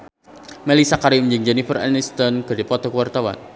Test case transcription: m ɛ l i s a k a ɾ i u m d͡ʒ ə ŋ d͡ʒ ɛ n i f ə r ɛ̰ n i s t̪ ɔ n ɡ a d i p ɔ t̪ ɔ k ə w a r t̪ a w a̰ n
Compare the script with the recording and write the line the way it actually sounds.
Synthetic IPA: m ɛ l i s a k a ɾ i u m d͡ʒ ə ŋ d͡ʒ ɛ n i f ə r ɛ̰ n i s t̪ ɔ n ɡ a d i p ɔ t̪ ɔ k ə w a r t̪ a w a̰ n